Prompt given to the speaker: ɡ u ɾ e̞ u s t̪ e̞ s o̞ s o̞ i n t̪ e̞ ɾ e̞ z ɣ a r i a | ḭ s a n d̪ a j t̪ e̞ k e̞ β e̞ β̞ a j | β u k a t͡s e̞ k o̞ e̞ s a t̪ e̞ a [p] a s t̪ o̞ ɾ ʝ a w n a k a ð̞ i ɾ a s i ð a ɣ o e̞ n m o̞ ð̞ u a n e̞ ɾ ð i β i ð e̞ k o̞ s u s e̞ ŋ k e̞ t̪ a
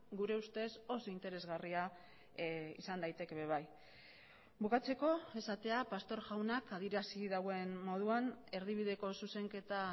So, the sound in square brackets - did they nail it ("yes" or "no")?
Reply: yes